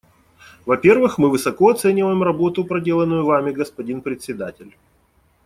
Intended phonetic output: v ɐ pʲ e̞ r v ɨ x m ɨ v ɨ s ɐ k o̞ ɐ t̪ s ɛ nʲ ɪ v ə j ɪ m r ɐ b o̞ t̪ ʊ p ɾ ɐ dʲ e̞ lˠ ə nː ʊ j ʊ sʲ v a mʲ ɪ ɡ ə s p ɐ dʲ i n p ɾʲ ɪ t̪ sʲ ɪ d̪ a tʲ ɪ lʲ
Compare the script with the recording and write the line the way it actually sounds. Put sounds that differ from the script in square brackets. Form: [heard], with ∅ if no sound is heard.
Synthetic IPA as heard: v ɐ pʲ e̞ r v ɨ x m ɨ v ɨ s ɐ k o̞ ɐ t̪ s ɛ nʲ ɪ v ə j ɪ m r ɐ b o̞ t̪ ʊ p ɾ ɐ dʲ e̞ lˠ ə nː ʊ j ʊ [∅] v a mʲ ɪ ɡ ə s p ɐ dʲ i n p ɾʲ ɪ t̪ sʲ ɪ d̪ a tʲ ɪ lʲ